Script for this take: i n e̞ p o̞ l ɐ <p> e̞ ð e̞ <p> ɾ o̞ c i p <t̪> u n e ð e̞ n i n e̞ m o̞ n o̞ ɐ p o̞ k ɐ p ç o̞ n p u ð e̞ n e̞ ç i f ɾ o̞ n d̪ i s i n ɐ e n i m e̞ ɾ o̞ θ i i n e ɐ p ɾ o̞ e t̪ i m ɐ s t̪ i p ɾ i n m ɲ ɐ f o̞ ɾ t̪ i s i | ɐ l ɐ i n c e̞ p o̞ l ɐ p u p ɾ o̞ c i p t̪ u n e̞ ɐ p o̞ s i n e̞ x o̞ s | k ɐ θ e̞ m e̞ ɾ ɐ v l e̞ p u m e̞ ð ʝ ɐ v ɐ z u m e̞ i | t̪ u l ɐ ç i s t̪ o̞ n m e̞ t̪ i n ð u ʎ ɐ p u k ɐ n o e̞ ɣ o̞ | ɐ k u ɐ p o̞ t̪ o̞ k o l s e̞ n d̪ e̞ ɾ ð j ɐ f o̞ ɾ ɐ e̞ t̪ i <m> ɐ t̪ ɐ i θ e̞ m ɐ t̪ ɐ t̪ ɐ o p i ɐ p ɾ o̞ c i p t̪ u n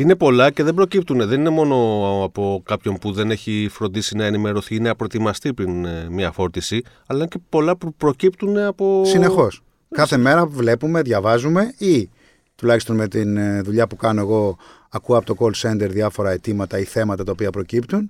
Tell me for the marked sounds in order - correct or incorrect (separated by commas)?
incorrect, incorrect, correct, correct